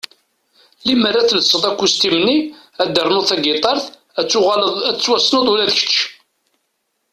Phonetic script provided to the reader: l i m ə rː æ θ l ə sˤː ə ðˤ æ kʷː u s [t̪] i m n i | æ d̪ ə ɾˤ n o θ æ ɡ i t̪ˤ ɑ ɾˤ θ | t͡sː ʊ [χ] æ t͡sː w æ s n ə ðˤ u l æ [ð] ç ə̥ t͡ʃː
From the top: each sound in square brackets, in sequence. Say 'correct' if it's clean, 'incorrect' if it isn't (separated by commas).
correct, incorrect, correct